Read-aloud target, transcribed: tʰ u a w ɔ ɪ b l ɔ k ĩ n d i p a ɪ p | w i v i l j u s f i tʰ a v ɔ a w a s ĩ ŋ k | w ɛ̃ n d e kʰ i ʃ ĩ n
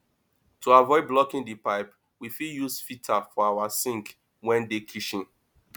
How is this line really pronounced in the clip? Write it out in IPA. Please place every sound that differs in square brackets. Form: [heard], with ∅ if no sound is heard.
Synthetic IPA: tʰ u a [v] ɔ ɪ b l ɔ k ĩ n d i p a ɪ p | w i [f] i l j u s f i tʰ a [f] ɔ a w a s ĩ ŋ k | w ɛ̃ n d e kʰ i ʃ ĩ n